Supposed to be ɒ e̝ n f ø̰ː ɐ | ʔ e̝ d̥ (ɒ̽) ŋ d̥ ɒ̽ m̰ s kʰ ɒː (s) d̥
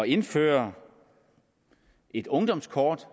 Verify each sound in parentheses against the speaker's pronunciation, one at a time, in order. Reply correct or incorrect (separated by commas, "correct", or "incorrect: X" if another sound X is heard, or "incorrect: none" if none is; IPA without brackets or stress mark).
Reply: incorrect: ɔ̽, incorrect: none